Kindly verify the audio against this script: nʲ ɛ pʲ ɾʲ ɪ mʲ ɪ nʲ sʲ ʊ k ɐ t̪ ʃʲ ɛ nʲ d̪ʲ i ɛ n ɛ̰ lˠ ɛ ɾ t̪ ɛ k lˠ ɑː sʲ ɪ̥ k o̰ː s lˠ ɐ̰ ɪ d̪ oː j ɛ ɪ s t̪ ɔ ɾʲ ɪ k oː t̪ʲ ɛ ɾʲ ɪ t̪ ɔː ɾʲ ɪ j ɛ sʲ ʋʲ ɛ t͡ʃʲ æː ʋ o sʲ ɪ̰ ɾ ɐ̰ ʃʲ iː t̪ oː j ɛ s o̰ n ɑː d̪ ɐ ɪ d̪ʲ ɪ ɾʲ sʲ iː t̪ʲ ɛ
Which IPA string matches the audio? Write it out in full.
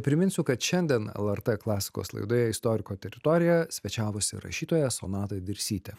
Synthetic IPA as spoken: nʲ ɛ pʲ ɾʲ ɪ mʲ ɪ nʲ sʲ ʊ k ɐ t̪ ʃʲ ɛ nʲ d̪ʲ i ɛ n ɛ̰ lˠ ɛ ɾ t̪ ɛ k lˠ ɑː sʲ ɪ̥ k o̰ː s lˠ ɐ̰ ɪ d̪ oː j ɛ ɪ s t̪ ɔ ɾʲ ɪ k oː t̪ʲ ɛ ɾʲ ɪ t̪ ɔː ɾʲ ɪ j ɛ sʲ ʋʲ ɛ t͡ʃʲ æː ʋ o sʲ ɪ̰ ɾ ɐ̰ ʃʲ iː t̪ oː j ɛ s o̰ n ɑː t̪ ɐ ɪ d̪ʲ ɪ ɾʲ sʲ iː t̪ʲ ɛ